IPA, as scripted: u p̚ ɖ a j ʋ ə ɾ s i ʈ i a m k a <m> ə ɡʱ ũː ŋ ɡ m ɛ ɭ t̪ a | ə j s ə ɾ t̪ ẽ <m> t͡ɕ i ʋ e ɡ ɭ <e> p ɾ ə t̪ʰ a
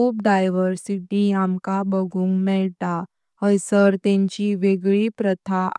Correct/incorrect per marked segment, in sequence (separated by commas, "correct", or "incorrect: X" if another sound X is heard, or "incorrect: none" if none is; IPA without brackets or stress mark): incorrect: b, incorrect: ɲ, incorrect: i